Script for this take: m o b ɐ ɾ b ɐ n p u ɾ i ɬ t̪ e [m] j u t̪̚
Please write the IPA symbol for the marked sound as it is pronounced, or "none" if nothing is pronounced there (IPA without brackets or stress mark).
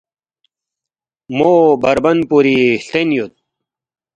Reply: n